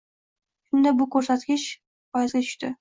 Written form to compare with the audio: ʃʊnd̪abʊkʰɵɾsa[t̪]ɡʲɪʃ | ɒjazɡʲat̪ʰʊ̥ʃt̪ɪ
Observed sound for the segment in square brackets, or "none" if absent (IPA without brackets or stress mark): t̪